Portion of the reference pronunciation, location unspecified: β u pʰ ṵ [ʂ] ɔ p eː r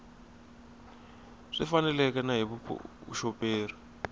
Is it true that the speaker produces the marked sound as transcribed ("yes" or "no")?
no